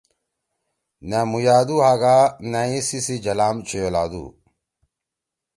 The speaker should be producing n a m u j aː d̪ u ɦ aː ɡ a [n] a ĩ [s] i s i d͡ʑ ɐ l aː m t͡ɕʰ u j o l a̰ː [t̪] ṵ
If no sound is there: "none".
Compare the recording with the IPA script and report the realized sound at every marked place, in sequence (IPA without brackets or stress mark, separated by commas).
n, s, d̪